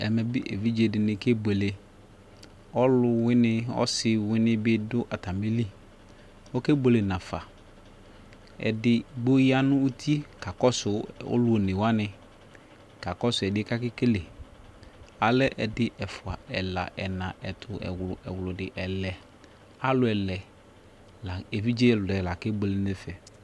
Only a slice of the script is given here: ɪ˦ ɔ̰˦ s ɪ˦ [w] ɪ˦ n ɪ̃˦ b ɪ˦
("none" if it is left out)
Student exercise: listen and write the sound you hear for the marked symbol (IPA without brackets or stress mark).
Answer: w